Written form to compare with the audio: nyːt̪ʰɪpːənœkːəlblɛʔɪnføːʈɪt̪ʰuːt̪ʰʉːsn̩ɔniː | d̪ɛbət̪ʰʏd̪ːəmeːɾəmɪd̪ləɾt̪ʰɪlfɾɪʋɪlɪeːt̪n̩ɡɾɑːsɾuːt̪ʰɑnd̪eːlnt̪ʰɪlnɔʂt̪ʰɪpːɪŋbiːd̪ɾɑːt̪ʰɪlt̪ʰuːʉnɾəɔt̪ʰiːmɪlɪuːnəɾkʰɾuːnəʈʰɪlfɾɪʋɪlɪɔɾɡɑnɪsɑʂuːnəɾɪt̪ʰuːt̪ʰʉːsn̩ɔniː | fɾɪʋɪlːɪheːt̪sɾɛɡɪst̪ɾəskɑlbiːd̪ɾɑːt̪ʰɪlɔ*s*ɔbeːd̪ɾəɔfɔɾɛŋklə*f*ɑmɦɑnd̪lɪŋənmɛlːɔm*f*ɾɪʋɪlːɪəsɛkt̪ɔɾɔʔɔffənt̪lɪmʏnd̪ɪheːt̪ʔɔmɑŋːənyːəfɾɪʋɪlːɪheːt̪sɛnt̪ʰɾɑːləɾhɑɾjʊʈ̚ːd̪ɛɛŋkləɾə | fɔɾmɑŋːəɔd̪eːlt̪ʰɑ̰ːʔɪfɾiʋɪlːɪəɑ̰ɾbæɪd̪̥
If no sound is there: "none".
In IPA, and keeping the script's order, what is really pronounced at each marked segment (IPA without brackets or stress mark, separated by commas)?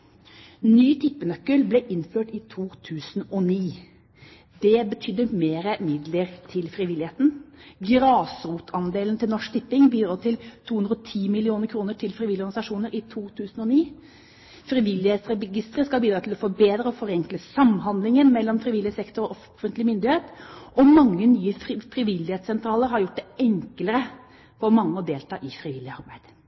f, s, f